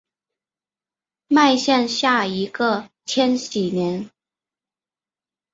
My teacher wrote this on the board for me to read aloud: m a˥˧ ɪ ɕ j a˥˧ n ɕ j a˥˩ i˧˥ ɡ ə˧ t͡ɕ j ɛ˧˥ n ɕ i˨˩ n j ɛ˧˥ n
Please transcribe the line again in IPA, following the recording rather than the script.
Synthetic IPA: m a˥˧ ɪ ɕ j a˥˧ n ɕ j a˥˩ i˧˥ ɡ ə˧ t͡ɕʰ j ɛ˥ n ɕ i˨˩ n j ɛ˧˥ n